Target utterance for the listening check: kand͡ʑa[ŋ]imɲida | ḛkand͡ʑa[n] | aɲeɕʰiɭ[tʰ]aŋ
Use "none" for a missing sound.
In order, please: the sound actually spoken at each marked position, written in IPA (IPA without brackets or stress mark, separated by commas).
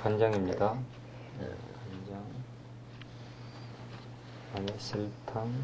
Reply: ŋ, ŋ, tʰ